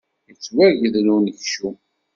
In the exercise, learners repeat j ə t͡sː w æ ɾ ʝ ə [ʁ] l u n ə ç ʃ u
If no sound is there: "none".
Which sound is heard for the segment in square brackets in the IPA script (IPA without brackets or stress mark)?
ð